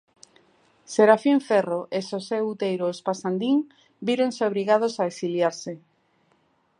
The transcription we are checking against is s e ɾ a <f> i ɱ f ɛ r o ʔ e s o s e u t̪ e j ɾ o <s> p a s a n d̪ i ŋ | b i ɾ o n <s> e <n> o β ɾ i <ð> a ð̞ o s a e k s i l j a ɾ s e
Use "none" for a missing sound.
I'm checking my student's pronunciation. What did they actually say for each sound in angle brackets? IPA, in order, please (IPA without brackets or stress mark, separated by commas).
f, s, s, none, ɣ